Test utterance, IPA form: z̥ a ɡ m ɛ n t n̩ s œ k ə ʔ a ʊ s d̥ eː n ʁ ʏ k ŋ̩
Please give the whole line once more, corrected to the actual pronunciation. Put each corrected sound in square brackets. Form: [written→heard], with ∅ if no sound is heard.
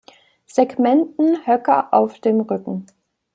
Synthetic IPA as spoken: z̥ [a→e] ɡ m ɛ n t n̩ [s→h] œ k [ə→ɐ] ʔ a ʊ [s→f] d̥ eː [n→m] ʁ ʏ k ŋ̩